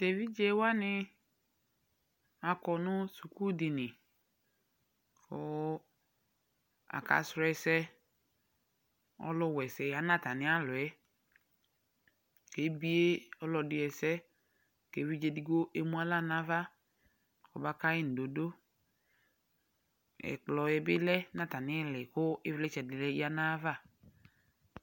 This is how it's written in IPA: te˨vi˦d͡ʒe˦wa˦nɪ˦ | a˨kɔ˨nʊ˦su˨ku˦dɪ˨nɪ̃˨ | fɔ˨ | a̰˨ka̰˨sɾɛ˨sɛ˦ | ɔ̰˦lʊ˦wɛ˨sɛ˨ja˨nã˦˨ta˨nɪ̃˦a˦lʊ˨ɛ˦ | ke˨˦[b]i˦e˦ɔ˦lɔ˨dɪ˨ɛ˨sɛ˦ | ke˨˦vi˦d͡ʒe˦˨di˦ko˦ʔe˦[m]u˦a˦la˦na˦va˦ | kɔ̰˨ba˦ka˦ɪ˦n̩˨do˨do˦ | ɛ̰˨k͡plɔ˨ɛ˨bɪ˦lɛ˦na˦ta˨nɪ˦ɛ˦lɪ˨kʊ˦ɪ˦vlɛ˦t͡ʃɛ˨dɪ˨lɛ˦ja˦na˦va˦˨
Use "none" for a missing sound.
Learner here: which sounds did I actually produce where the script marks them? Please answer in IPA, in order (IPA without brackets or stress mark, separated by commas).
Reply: b, m